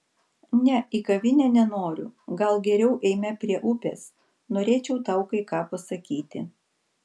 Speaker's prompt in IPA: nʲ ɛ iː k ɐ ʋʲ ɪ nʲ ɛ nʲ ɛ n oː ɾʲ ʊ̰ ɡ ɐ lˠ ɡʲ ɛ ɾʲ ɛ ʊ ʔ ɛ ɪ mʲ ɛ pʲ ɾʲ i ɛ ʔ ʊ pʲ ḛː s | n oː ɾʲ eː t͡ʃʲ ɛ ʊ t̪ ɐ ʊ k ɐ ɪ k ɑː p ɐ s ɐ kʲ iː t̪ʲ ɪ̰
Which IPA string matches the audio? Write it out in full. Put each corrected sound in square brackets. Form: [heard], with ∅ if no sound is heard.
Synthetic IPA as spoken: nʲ ɛ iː k ɐ ʋʲ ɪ nʲ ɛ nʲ ɛ n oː ɾʲ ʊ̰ ɡ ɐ lˠ ɡʲ ɛ ɾʲ ɛ ʊ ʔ ɛ ɪ mʲ ɛ pʲ ɾʲ i ɛ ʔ ʊ pʲ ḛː s | n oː ɾʲ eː t͡ʃʲ ɛ ʊ t̪ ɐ ʊ k ɐ ɪ k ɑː p ɐ s ɐ kʲ iː t̪ʲ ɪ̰